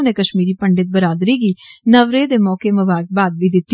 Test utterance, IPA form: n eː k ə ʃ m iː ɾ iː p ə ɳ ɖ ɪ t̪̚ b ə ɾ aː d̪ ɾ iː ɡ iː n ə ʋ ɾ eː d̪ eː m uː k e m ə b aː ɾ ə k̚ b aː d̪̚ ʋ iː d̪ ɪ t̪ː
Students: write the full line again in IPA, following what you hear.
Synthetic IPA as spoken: n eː k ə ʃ m iː ɾ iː p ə ɳ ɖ ɪ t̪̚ b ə ɾ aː d̪ ɾ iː ɡ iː n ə ʋ ɾ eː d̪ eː m ɔː k e m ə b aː ɾ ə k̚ b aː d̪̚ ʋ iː d̪ ɪ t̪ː